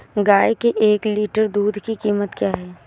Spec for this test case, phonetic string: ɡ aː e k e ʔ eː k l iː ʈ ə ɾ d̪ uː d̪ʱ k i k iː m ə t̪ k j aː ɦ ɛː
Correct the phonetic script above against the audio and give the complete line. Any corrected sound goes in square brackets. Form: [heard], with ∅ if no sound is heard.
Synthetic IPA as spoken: ɡ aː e k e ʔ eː k l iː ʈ ə ɾ d̪ uː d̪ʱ k i k iː m ə t̪ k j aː ɦ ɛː